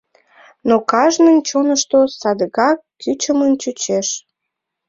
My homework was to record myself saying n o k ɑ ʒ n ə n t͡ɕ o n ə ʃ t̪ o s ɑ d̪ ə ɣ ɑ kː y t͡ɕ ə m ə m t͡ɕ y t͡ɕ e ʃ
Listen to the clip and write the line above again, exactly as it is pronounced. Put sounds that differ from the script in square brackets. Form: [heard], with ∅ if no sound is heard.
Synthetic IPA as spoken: n o k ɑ ʒ n ə n t͡ɕ o n ə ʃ t̪ o s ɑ d̪ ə ɣ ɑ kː y t͡ɕ ə m ə [n] t͡ɕ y t͡ɕ e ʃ